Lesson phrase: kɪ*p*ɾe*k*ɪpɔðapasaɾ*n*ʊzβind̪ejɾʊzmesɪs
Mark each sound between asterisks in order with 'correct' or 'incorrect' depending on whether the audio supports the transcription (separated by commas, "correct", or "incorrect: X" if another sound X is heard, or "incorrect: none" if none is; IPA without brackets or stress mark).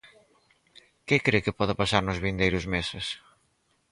incorrect: k, correct, correct